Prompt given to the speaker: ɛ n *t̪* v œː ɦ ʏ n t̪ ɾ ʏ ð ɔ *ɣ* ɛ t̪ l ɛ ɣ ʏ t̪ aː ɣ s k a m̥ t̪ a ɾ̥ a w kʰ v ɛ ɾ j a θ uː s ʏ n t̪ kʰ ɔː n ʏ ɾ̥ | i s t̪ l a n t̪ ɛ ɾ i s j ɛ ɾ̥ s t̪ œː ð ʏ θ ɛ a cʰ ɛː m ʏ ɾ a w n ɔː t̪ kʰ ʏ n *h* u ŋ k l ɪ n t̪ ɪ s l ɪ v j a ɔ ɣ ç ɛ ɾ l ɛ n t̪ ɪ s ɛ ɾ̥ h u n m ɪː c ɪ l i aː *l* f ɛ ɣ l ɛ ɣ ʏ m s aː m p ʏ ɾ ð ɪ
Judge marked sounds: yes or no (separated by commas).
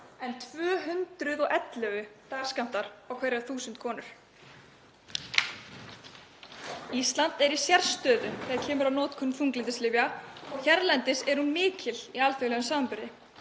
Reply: no, yes, no, yes